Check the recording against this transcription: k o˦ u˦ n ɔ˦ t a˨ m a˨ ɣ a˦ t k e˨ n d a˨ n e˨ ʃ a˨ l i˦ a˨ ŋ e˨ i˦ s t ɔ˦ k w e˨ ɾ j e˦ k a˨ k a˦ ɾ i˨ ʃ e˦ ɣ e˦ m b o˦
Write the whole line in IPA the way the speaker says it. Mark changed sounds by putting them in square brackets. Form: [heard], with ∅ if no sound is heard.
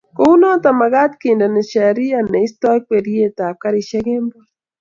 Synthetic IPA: k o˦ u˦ n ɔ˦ t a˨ m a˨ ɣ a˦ t k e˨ n d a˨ n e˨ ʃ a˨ [ɾ] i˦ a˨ [n] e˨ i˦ s t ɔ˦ k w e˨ ɾ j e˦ [t] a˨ k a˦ ɾ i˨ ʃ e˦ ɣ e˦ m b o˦